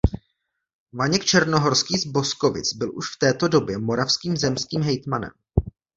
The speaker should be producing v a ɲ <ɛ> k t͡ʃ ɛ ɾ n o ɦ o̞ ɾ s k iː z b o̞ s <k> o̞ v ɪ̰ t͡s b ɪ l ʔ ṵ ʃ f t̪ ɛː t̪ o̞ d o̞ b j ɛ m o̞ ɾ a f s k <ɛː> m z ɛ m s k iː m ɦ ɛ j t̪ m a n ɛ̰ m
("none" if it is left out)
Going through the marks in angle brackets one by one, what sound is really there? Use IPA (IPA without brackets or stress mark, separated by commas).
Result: ɛ, k, iː